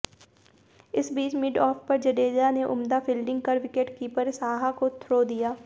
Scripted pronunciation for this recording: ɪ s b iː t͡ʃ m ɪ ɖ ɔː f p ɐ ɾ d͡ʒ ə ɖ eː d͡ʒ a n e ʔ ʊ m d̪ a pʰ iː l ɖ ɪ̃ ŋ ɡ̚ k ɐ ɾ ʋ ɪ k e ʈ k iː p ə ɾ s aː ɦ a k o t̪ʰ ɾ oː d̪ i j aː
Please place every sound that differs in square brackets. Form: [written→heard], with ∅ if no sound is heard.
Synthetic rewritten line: ɪ s b iː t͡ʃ m ɪ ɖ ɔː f p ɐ ɾ d͡ʒ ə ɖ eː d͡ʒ a n e ʔ ʊ m d̪ a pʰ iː l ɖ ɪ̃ ŋ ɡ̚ k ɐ ɾ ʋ ɪ k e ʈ k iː p ə ɾ s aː ɦ a k o t̪ʰ ɾ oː d̪ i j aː